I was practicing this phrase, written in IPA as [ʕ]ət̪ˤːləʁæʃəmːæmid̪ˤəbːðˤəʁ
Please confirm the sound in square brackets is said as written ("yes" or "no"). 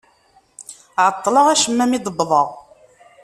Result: yes